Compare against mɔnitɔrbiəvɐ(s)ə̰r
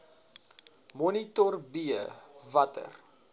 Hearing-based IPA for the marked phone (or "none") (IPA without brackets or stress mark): t